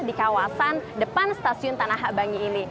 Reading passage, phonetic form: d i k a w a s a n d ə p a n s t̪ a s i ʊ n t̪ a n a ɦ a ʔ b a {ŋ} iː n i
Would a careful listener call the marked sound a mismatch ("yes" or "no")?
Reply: no